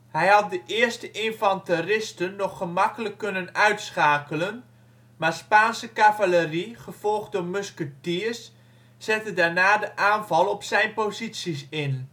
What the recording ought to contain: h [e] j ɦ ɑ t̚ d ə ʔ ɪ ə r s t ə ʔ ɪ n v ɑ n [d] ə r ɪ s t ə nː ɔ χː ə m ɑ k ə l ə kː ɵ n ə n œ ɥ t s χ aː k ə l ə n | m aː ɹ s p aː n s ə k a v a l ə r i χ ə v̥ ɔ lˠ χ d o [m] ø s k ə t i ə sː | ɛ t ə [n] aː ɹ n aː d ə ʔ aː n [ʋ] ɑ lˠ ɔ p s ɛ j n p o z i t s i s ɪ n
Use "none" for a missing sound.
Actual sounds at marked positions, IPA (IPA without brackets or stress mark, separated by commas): ɛ, t, m, d, v